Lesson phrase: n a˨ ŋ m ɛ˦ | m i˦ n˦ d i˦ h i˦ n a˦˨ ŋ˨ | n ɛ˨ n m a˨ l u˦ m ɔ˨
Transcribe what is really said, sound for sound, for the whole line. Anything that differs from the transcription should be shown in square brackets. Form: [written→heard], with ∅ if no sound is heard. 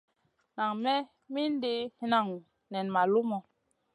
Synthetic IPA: n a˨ ŋ m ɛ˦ | m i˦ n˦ d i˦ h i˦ n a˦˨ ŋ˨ | n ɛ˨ n m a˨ l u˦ m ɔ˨